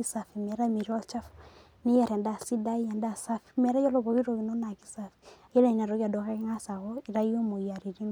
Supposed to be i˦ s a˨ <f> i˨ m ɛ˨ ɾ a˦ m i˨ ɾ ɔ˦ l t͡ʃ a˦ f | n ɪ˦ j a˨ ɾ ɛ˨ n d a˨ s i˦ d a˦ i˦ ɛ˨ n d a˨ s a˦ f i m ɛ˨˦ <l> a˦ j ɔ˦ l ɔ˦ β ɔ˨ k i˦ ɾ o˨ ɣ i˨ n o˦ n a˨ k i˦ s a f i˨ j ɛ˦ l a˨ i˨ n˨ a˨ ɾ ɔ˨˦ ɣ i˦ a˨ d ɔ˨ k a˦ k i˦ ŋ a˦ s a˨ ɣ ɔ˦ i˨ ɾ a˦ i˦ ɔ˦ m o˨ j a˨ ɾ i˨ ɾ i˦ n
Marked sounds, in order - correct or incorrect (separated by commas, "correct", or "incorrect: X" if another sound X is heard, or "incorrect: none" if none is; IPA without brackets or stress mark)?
correct, incorrect: ɾ